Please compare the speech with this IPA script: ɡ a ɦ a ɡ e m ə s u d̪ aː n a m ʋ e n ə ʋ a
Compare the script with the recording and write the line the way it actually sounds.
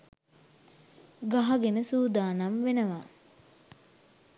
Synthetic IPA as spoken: ɡ a ɦ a ɡ e n ə s uː d̪ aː n a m ʋ e n ə ʋ a